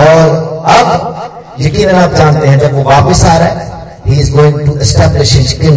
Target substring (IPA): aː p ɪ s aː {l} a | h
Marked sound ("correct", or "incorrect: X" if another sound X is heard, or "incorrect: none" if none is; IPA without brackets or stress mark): incorrect: ɾ